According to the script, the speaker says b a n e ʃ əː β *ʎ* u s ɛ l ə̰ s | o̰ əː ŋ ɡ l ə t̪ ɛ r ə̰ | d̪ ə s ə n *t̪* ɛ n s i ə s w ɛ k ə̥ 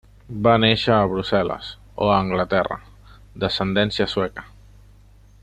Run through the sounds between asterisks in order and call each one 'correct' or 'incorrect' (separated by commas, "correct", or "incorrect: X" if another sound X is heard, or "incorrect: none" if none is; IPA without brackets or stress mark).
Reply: incorrect: ɾ, incorrect: d̪